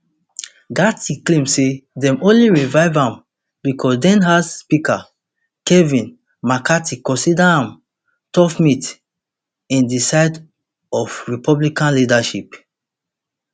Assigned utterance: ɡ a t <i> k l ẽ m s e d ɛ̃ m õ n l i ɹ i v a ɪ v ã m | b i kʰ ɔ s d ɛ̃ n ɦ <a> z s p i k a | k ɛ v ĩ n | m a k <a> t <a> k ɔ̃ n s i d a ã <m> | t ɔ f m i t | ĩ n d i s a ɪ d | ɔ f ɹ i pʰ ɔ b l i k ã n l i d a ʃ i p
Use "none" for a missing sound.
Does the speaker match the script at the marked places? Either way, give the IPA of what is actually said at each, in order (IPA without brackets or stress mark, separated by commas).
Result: i, a, a, i, m